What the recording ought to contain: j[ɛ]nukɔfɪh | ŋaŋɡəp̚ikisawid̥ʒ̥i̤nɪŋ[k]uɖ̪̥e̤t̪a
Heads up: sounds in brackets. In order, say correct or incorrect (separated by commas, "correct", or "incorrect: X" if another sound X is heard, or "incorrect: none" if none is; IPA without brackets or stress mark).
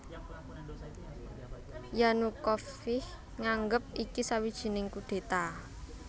incorrect: a, correct